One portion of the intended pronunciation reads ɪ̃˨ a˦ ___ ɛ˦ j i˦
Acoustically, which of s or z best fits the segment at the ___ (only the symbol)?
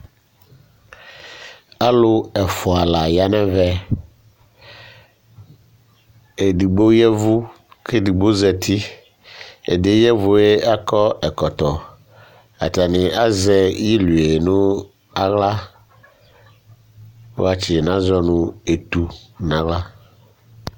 z